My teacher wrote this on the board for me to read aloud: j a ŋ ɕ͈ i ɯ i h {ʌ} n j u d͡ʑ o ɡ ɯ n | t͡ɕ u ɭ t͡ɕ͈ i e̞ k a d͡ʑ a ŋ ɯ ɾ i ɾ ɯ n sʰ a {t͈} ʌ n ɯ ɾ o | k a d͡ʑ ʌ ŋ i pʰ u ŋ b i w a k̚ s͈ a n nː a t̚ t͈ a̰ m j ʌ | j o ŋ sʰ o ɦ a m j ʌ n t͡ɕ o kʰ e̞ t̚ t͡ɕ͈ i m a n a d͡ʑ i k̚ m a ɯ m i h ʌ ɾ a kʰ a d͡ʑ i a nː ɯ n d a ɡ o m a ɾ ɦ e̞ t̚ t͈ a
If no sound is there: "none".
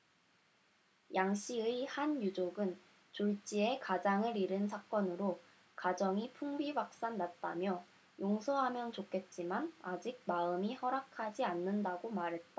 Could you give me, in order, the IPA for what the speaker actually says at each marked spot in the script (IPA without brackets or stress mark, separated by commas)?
a, k͈